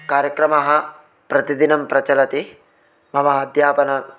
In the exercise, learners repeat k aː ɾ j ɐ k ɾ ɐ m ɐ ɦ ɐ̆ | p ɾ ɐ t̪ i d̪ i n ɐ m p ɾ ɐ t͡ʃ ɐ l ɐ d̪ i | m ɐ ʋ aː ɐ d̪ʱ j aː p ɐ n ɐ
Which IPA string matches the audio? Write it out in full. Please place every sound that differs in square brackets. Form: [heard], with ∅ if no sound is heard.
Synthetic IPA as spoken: k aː ɾ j ɐ k ɾ ɐ m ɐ ɦ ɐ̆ | p ɾ ɐ t̪ i d̪ i n ɐ m p ɾ ɐ t͡ʃ ɐ l ɐ [t̪] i | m ɐ ʋ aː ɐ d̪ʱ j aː p ɐ n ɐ